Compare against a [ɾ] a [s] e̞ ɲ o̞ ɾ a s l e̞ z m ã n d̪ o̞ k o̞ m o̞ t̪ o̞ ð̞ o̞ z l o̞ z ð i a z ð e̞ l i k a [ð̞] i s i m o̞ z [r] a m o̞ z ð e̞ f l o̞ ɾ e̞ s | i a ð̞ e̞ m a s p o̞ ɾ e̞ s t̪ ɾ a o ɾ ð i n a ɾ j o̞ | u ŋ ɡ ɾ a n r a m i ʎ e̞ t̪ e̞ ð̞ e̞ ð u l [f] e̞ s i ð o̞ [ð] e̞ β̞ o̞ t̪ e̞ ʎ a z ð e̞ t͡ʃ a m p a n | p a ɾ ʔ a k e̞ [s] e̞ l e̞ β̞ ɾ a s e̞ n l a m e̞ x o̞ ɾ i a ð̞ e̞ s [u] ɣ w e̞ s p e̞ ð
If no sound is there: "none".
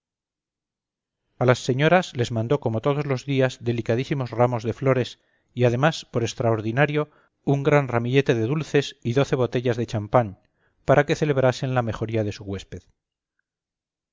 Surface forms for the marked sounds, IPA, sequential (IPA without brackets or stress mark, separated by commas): l, sː, ð̞, r, θ, θ, θ, u